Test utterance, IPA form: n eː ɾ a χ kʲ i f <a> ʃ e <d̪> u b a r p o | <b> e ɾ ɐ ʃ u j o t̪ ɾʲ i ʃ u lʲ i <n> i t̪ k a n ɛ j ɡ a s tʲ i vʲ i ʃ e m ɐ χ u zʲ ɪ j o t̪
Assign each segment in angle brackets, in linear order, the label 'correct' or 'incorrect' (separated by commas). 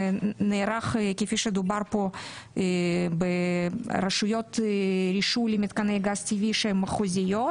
incorrect, correct, correct, incorrect